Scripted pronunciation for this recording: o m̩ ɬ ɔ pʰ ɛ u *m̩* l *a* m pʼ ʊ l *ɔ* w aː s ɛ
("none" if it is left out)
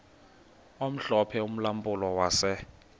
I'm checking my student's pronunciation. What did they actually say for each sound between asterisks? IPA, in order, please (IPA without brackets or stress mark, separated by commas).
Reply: m̩, a, ɔ